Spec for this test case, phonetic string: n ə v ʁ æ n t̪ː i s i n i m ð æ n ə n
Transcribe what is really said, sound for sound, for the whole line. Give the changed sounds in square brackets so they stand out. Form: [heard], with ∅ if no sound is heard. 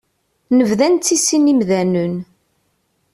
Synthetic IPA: n ə v [ð] æ n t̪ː i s i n i m ð æ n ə n